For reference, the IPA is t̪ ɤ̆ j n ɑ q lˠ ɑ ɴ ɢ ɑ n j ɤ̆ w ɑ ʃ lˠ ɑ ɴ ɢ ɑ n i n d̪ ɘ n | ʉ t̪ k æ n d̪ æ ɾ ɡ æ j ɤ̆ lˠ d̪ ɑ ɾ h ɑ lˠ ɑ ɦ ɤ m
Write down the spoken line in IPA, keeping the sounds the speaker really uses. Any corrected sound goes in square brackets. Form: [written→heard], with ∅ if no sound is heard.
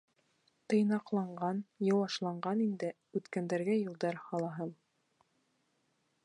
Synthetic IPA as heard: t̪ ɤ̆ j n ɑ q lˠ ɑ ɴ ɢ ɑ n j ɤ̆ w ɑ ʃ lˠ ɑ ɴ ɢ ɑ n i n d̪ ɘ [n→∅] | ʉ t̪ k æ n d̪ æ ɾ ɡ æ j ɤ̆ lˠ d̪ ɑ ɾ h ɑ lˠ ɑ ɦ ɤ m